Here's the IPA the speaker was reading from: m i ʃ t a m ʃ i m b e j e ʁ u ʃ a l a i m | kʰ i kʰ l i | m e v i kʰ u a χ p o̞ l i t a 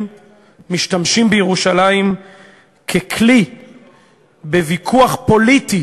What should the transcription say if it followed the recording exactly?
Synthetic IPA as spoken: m i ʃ t a m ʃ i m b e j e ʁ u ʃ a l a i m | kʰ e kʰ l i | b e v i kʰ u a χ p o̞ l i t i